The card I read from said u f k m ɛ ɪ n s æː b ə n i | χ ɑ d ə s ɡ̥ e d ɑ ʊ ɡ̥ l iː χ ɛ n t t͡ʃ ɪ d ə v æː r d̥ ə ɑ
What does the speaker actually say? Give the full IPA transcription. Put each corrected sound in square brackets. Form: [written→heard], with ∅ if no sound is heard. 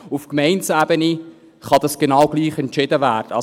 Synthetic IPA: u f k m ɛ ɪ n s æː b ə n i | χ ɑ d [ə→ɑ] s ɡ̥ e [d→n] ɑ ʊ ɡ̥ l iː χ ɛ n t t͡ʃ ɪ d ə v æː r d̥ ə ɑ